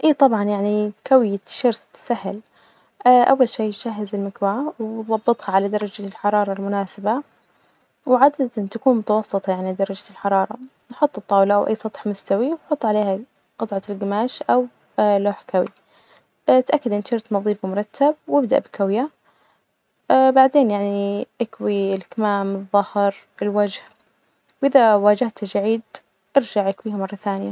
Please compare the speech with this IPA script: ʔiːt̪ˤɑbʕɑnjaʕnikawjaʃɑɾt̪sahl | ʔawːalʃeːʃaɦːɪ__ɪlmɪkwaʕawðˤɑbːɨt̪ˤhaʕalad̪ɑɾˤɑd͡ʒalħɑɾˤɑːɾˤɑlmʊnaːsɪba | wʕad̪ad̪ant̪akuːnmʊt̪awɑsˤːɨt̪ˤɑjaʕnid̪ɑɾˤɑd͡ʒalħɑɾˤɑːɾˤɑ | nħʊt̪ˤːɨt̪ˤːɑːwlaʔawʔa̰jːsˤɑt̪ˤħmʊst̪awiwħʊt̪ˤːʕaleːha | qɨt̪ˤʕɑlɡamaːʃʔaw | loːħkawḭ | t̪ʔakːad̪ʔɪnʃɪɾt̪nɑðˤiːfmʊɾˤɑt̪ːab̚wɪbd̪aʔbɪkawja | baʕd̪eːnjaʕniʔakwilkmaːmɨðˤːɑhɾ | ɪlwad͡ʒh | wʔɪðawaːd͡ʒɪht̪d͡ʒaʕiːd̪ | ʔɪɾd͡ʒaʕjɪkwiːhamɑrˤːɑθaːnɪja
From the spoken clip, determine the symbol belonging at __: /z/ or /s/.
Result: z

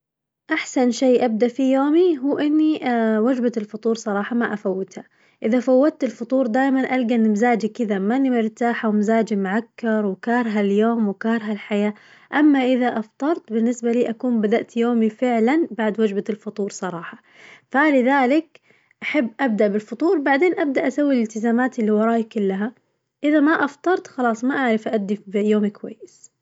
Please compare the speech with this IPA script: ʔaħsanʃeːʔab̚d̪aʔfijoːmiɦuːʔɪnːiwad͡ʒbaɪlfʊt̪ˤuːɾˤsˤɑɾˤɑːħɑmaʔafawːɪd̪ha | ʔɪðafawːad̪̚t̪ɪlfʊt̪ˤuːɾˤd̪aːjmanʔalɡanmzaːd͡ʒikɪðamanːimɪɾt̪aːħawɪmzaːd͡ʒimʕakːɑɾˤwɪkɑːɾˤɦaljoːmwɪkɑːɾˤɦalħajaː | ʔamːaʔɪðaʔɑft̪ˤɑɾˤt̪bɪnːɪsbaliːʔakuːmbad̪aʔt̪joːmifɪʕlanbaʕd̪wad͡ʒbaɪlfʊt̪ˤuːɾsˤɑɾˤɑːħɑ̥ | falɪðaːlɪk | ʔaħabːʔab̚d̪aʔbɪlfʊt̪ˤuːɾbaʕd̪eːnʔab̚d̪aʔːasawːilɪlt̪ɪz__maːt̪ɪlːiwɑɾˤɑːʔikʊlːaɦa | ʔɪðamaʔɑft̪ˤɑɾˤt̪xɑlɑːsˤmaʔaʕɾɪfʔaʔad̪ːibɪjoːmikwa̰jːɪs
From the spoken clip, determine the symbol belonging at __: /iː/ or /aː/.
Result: aː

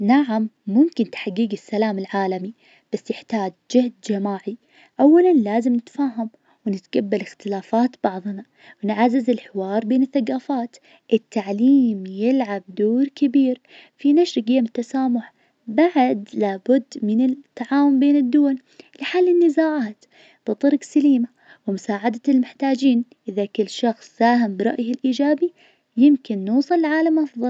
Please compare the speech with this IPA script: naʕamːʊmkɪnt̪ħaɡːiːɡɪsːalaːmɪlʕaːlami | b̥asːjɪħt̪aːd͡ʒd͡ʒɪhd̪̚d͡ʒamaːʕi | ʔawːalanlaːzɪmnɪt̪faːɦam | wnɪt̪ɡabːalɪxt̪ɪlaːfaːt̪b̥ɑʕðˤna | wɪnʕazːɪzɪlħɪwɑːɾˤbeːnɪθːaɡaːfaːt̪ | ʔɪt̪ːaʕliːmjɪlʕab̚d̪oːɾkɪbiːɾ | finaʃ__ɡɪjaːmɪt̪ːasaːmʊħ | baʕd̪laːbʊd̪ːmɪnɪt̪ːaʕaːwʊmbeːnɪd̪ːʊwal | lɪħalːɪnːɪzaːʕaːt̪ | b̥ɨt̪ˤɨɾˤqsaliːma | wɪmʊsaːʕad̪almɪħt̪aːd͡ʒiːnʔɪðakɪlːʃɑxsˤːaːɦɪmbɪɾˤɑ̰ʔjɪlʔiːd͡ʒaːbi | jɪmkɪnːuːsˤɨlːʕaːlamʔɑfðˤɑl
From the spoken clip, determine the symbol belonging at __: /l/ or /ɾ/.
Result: ɾ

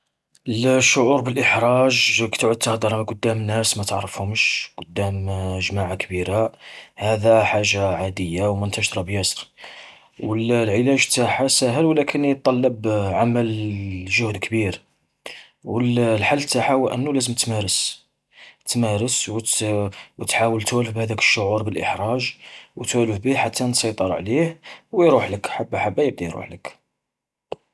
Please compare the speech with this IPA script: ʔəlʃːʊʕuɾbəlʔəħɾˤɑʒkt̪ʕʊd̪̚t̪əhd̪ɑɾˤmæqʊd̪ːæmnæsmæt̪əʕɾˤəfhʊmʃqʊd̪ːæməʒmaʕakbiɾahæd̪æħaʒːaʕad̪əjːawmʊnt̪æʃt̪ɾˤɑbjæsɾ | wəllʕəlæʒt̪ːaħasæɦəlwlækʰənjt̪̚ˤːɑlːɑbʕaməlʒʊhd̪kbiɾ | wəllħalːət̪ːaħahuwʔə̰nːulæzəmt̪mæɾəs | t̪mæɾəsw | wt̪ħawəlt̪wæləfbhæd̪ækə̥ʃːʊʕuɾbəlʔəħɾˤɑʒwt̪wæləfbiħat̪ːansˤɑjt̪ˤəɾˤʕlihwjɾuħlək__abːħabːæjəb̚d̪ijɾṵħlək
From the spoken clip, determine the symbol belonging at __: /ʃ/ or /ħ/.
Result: ħ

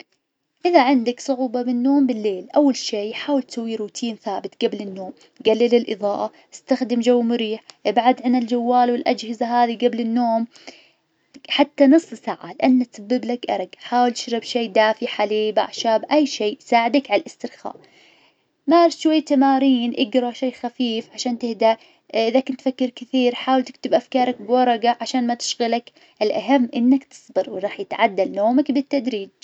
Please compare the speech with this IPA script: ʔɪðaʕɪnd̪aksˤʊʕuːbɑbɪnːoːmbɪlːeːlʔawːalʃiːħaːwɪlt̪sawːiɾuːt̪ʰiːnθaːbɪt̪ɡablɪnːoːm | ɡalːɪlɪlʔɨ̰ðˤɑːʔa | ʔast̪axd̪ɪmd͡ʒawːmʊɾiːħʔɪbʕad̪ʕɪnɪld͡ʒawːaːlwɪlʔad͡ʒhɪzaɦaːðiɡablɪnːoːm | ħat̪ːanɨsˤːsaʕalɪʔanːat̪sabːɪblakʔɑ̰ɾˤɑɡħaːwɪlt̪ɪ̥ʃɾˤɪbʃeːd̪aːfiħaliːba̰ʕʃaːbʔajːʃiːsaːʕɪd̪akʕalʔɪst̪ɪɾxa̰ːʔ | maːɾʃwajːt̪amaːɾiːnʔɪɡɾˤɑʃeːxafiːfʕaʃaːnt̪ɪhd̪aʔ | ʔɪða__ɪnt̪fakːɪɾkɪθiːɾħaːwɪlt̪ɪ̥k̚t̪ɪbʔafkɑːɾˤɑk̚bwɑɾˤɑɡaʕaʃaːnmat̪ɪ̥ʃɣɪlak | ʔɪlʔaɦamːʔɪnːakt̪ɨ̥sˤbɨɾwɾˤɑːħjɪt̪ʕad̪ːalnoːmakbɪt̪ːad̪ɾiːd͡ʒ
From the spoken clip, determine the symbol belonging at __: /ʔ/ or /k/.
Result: k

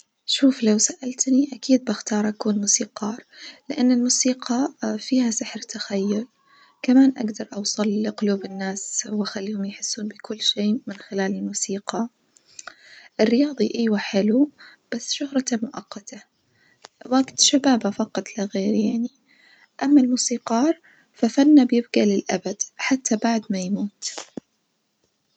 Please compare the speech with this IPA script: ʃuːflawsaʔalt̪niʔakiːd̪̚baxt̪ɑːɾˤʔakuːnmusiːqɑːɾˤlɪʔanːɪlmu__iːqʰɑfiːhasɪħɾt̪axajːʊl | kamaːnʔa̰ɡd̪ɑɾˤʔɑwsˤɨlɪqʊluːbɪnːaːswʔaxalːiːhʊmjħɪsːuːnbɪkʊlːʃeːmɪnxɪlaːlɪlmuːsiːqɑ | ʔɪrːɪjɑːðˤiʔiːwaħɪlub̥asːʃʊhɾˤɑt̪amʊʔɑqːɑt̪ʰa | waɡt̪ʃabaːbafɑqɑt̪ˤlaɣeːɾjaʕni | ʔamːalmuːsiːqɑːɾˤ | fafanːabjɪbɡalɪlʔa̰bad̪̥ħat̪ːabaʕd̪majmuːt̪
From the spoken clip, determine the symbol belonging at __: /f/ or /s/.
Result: s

